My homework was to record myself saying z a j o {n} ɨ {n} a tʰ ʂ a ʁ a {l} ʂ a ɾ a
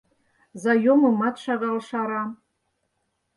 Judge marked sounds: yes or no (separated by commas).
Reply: no, no, yes